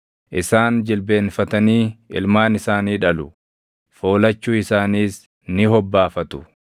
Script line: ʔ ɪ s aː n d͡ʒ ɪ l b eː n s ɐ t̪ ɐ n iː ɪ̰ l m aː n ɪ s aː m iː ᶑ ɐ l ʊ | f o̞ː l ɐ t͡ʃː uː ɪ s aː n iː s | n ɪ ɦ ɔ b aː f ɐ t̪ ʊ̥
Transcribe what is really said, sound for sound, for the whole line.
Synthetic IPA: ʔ ɪ s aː n d͡ʒ ɪ l b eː n f ɐ t̪ ɐ n iː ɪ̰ l m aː n ɪ s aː n iː ᶑ ɐ l ʊ | f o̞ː l ɐ t͡ʃː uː ɪ s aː n iː s | n ɪ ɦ ɔ bː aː f ɐ t̪ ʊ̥